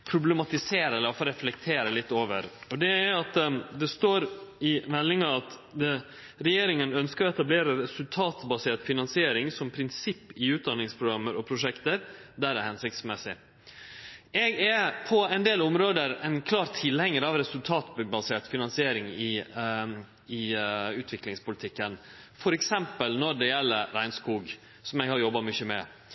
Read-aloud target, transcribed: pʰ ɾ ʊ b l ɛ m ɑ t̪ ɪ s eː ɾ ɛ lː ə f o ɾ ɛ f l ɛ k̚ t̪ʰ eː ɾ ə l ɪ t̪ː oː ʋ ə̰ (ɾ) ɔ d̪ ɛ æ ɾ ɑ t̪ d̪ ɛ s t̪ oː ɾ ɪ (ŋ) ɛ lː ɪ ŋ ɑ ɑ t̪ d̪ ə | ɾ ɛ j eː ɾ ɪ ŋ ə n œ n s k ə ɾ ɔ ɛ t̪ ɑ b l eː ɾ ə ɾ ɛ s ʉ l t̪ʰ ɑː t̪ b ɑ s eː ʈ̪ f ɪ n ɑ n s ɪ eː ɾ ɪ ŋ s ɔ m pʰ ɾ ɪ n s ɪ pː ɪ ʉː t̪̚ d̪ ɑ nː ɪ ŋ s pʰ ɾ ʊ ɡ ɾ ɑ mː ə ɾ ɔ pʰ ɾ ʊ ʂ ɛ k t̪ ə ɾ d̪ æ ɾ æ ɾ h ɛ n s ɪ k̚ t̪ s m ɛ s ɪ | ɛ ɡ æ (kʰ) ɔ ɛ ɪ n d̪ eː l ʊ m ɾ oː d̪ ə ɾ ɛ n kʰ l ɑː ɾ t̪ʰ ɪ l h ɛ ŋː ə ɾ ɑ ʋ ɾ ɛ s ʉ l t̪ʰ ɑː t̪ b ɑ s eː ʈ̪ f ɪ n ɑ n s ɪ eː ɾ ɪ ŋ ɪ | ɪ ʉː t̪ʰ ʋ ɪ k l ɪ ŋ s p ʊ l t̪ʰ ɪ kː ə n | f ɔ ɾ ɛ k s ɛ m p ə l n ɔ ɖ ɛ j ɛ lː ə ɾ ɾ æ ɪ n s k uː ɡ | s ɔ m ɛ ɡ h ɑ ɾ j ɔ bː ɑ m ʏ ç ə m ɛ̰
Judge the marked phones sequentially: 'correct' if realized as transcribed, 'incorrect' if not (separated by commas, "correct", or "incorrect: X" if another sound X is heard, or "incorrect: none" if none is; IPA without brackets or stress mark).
correct, incorrect: m, incorrect: pʰ